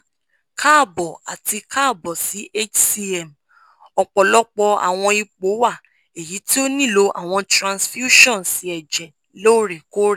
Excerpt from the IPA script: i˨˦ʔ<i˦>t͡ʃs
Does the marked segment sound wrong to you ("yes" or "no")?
yes